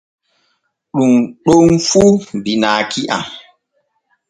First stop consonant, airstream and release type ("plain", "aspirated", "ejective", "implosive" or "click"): implosive